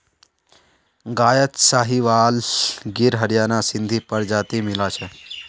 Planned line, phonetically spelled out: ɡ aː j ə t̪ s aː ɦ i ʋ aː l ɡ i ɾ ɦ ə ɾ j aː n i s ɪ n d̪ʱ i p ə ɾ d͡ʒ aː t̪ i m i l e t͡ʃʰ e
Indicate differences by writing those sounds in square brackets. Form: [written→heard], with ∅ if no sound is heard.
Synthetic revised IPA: ɡ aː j ə t̪ s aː ɦ i ʋ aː l ɡ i ɾ ɦ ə ɾ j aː n [i→a] s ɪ n d̪ʱ i p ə ɾ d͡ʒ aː t̪ i m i l [e→a] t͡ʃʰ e